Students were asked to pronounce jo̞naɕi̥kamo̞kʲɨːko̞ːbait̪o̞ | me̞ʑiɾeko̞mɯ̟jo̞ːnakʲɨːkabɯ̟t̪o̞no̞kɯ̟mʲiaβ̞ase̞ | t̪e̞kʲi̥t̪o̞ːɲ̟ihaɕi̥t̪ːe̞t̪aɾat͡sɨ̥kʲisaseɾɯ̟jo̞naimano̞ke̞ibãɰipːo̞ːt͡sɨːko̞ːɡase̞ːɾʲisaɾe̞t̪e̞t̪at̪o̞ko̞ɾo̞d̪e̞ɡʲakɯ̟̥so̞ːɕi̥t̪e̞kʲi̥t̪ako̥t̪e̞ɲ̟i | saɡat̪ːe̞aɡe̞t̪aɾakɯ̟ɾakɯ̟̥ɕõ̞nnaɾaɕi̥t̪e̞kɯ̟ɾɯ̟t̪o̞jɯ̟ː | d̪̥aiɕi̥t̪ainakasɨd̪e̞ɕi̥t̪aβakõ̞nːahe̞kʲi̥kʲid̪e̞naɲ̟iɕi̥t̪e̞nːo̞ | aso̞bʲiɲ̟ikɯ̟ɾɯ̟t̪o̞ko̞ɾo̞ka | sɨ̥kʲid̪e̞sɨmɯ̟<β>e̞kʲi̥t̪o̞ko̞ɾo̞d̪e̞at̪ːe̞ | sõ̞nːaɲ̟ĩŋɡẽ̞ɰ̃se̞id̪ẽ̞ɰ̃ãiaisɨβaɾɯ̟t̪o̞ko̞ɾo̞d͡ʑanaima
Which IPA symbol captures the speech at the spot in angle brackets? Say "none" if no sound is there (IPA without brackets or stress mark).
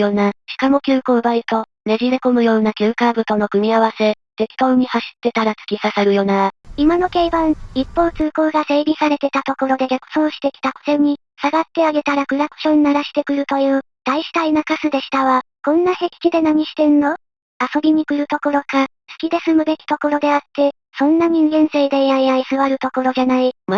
b